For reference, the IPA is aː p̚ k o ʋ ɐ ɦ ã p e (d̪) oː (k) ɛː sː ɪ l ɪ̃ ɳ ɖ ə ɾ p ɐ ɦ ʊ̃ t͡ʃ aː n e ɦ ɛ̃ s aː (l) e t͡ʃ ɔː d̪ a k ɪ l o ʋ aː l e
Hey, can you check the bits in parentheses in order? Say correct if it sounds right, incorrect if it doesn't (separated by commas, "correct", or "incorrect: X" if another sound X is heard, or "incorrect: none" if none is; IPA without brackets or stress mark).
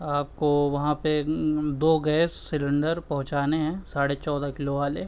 correct, incorrect: ɡ, incorrect: ɽ